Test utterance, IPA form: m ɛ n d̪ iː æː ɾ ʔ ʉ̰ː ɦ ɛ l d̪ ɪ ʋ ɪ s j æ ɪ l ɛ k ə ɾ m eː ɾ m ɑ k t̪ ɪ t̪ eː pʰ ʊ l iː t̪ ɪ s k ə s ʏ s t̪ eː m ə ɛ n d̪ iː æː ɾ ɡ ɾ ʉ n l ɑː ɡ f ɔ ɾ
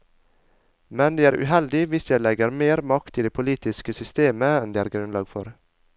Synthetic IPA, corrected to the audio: m ɛ n d̪ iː æː ɾ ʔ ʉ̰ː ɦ ɛ l d̪ ɪ ʋ ɪ s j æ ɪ l ɛ ɡ ə ɾ m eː ɾ m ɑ k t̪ ɪ d̪ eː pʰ ʊ l iː t̪ ɪ s k ə s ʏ s t̪ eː m ə ɛ n d̪ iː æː ɾ ɡ ɾ ʉ n l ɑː ɡ f ɔ ɾ